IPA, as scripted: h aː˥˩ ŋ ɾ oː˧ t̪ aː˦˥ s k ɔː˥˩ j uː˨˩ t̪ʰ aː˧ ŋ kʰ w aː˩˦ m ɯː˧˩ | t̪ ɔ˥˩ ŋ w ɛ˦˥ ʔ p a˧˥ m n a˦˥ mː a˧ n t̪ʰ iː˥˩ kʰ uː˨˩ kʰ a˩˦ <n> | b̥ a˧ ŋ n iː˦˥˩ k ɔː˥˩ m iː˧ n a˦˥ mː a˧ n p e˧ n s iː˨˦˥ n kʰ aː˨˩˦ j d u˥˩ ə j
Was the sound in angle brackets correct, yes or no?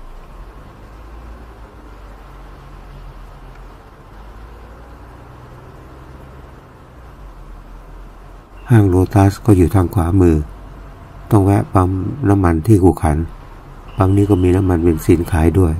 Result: yes